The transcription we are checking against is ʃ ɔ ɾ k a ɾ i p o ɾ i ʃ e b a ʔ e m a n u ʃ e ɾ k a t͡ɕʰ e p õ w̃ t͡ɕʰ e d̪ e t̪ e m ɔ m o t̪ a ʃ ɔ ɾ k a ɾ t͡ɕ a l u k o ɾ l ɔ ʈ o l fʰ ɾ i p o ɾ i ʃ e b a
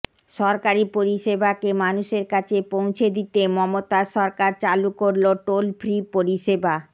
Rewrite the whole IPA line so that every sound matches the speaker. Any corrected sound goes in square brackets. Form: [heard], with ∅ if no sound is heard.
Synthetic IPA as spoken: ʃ ɔ ɾ k a ɾ i p o ɾ i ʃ e b a [k] e m a n u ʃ e ɾ k a t͡ɕʰ e p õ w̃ t͡ɕʰ e d̪ [i] t̪ e m ɔ m o t̪ a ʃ ɔ ɾ k a ɾ t͡ɕ a l u k o ɾ l [o] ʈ o l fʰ ɾ i p o ɾ i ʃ e b a